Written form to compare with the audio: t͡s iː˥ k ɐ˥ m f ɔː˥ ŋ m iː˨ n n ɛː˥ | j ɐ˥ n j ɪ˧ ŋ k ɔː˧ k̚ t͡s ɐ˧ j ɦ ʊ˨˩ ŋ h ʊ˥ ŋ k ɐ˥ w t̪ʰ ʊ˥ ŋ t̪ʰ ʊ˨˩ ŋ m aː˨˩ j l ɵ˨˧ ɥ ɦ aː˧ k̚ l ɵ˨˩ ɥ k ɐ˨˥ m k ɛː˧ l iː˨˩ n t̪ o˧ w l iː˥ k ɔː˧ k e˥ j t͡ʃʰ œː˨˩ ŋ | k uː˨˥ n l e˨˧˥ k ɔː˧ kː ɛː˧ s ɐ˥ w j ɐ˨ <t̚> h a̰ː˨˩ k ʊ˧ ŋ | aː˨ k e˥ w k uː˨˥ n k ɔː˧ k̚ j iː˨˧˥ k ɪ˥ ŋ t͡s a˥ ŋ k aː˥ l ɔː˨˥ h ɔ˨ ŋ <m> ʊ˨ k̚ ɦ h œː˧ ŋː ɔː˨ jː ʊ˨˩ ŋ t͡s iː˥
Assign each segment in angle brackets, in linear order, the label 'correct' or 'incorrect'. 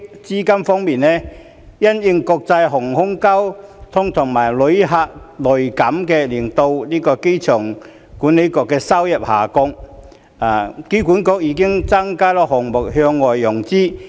incorrect, correct

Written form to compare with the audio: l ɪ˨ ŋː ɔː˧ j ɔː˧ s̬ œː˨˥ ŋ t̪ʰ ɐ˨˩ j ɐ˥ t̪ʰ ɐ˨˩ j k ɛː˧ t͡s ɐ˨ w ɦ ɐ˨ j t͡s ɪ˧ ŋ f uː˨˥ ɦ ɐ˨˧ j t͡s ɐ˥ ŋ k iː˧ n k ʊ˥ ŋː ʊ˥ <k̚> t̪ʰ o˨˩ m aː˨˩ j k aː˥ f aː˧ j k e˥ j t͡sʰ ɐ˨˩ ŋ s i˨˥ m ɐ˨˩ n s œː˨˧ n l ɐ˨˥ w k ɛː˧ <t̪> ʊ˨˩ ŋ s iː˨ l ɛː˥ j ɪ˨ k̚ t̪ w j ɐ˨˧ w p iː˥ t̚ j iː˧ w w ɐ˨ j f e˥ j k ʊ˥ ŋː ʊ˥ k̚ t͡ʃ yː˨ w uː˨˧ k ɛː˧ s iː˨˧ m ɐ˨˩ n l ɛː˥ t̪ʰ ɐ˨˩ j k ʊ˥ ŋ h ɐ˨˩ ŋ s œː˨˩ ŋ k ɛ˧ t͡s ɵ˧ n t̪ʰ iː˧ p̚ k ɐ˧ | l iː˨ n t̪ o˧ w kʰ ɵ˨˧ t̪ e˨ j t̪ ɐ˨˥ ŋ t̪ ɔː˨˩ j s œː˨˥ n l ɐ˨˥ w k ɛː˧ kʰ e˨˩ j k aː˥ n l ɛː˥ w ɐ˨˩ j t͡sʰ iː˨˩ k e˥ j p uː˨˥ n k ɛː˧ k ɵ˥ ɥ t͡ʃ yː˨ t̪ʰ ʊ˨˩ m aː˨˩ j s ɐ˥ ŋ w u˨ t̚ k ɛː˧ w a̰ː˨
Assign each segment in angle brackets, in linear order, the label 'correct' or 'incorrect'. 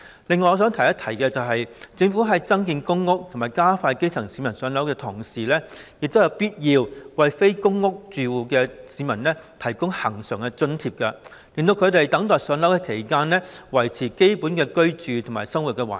correct, incorrect

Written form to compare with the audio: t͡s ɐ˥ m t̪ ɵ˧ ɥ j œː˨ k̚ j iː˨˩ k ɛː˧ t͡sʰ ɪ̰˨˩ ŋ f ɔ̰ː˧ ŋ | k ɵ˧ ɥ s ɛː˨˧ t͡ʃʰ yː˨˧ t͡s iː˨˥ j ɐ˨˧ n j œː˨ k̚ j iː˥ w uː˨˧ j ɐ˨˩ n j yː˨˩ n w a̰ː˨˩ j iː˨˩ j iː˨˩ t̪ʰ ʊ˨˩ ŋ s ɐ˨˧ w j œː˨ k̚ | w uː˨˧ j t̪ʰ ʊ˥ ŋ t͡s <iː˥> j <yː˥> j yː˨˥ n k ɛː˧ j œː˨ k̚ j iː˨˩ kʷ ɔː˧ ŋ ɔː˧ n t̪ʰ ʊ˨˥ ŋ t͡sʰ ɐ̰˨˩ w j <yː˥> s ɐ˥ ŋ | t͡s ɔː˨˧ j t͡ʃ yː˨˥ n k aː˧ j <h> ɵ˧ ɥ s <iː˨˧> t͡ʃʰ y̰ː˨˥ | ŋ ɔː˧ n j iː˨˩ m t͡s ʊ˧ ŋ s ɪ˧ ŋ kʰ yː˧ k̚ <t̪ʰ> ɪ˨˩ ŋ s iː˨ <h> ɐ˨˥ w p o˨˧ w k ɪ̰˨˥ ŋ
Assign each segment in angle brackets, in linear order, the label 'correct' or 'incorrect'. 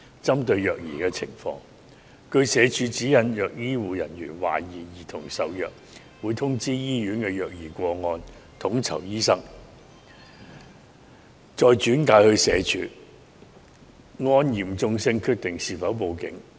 correct, incorrect, incorrect, correct, incorrect, incorrect, incorrect

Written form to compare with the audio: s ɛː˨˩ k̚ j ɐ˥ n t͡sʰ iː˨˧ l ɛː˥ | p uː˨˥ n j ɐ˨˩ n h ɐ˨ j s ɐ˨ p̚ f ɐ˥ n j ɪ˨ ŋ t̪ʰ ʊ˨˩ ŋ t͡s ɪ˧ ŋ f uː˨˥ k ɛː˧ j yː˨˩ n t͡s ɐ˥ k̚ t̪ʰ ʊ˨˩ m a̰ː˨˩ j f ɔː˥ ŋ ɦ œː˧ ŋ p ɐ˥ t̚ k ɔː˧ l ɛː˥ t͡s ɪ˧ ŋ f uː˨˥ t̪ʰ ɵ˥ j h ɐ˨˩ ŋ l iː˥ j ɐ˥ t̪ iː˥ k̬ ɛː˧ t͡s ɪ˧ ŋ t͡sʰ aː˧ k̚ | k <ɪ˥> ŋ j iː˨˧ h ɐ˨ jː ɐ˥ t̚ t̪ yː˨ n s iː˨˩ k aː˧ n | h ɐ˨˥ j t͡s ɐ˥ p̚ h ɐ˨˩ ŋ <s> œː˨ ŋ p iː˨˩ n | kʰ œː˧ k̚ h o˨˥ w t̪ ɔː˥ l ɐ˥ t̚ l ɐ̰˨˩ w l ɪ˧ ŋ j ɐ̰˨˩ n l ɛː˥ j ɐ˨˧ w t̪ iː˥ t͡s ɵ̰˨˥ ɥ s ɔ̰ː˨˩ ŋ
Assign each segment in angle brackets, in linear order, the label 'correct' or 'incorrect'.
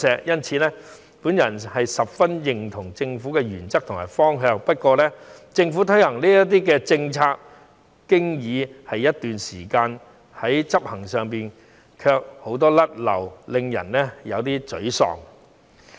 correct, correct

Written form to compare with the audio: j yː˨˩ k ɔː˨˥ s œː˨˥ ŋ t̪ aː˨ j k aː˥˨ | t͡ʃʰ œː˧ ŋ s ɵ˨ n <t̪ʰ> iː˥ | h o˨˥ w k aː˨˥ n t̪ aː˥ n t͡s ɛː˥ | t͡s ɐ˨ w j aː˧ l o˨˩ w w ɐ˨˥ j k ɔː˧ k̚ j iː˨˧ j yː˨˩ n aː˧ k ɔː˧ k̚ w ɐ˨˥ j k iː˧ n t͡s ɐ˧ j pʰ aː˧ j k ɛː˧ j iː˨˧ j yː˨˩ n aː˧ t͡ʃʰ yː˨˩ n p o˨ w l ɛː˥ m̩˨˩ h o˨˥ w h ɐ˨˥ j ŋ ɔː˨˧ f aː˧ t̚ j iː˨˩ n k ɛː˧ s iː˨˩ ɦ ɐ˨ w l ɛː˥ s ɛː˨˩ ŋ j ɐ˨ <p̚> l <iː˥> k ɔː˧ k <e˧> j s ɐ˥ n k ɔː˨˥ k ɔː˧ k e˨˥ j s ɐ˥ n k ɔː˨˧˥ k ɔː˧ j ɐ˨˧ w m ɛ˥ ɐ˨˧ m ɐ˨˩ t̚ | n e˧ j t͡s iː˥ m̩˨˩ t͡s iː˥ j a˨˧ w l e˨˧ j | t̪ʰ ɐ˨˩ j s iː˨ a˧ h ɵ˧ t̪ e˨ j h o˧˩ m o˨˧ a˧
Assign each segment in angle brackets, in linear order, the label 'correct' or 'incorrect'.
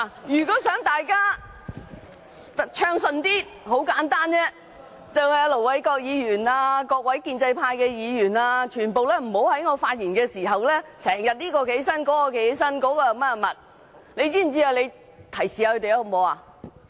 incorrect, incorrect, correct, incorrect

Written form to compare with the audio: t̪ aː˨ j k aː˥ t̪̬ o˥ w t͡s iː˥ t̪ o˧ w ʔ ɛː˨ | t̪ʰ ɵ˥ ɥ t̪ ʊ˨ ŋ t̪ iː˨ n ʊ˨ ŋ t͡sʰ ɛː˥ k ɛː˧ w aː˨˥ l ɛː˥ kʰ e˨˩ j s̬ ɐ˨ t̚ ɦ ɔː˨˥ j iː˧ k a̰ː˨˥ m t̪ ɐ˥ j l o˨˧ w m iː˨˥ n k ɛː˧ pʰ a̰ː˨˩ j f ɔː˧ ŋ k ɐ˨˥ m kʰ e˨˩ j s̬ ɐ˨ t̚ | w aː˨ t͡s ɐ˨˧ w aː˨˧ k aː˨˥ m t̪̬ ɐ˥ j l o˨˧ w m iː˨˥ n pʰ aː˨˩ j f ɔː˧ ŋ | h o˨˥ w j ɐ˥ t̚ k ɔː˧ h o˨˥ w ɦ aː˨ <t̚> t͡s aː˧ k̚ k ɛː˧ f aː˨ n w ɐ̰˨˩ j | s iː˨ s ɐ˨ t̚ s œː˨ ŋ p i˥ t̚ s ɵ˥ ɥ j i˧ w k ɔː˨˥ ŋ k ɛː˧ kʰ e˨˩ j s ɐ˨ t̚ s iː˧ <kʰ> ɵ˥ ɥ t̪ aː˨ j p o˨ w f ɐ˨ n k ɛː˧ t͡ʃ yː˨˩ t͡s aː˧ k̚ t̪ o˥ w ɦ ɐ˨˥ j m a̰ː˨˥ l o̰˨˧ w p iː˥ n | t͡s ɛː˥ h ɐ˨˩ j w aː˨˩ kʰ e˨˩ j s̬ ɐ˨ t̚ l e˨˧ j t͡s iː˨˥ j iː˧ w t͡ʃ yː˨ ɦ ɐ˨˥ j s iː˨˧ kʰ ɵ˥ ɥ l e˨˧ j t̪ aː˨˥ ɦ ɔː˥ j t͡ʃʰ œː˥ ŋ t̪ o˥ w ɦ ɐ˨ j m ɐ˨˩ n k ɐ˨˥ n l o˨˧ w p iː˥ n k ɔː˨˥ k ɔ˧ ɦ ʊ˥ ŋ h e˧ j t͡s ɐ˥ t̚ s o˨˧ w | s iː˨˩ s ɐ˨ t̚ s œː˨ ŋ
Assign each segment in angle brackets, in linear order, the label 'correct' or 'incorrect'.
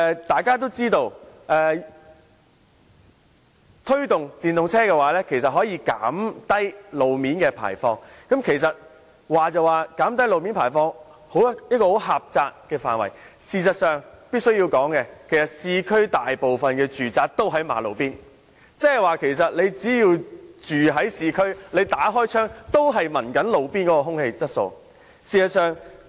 incorrect, correct

